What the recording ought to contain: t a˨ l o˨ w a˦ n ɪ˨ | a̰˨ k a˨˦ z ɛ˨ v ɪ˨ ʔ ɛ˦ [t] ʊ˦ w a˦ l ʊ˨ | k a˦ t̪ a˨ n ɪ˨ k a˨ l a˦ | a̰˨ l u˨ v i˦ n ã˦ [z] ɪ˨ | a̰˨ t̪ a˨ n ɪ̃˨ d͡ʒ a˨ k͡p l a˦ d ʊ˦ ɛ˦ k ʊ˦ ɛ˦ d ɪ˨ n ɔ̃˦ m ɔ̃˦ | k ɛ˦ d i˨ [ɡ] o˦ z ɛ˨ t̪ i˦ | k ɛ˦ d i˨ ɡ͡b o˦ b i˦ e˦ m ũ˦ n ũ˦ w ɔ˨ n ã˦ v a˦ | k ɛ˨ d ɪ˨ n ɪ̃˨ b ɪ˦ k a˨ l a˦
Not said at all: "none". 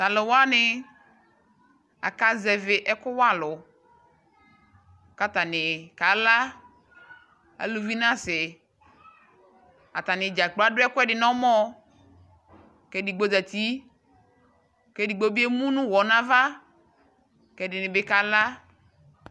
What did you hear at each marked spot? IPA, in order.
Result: k, s, ɡ͡b

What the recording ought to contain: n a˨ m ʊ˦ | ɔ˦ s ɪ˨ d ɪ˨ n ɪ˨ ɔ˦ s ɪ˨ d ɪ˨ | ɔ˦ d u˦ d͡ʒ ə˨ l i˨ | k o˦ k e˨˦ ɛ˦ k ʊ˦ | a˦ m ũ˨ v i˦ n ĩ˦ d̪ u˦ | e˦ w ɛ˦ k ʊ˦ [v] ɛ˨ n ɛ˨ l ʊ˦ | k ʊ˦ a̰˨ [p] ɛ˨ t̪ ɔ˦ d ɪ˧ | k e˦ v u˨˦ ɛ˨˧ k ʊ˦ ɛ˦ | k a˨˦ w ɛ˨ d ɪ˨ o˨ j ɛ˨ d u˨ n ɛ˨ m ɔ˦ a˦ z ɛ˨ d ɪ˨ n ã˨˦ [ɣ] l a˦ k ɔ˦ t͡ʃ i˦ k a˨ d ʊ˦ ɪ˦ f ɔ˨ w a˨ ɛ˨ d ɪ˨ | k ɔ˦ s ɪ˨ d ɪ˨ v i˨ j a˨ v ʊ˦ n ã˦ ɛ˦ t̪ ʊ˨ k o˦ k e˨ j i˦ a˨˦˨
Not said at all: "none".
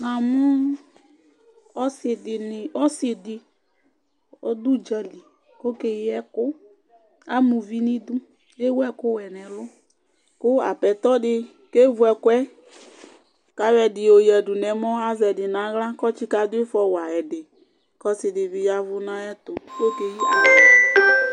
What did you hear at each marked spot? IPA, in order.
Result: w, p, ɣ

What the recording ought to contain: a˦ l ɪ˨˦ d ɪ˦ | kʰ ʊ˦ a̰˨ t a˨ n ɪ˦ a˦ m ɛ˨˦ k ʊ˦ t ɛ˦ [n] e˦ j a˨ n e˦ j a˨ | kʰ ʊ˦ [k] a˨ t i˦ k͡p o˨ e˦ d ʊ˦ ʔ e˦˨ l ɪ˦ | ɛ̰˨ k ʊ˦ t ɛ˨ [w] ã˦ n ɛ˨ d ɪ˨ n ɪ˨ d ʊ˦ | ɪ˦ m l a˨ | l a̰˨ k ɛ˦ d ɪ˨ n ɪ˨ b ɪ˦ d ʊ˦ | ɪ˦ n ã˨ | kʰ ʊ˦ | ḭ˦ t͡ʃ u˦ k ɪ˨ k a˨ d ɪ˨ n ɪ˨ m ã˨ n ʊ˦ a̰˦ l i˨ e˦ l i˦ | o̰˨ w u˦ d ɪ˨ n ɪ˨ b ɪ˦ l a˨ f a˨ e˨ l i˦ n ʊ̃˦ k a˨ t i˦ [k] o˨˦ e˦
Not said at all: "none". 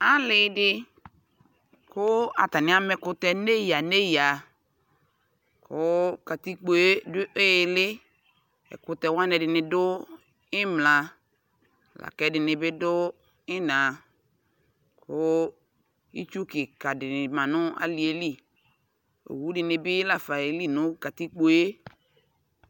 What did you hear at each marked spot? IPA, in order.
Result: n, k, w, k͡p

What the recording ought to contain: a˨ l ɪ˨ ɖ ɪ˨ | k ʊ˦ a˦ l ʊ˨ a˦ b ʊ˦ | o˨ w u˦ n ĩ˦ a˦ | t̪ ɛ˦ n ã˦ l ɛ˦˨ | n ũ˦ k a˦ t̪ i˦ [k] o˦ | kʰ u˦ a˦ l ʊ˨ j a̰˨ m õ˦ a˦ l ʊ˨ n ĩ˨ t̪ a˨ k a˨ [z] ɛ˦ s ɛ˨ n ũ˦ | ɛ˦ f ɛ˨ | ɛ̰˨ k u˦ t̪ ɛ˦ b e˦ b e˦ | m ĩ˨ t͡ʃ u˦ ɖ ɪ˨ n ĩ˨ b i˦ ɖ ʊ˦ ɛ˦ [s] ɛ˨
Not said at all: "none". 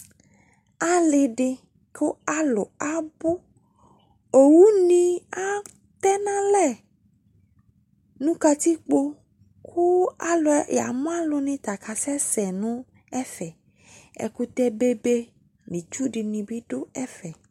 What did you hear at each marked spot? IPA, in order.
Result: k͡p, s, f

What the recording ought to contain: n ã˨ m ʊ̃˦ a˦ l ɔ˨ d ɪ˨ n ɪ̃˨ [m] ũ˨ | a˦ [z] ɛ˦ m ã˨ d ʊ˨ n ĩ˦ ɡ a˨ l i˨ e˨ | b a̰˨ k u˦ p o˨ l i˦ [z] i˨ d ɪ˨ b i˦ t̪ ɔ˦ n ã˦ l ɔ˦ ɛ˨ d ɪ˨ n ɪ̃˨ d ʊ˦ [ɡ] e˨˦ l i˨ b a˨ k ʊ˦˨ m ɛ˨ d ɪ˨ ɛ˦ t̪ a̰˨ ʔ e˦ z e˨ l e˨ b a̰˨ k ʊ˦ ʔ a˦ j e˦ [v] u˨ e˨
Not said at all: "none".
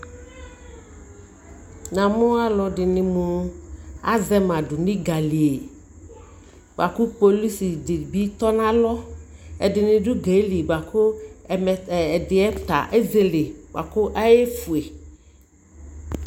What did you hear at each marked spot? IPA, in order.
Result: m, z, s, ɡ, f

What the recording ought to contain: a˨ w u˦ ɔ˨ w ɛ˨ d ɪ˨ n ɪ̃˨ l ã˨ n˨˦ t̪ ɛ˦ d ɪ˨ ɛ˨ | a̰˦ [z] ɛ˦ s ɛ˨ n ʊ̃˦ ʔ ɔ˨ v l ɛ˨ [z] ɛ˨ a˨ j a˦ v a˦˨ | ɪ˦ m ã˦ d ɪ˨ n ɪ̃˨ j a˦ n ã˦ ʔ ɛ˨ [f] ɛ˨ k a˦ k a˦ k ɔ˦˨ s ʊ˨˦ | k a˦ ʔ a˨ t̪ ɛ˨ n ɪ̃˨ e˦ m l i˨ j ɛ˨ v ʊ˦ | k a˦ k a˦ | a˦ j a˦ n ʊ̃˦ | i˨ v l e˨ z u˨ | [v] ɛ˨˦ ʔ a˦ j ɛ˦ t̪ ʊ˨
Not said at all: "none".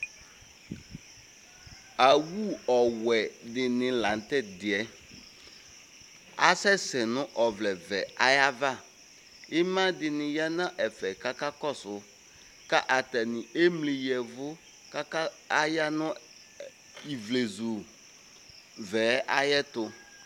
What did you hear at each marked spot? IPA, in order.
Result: s, v, f, v

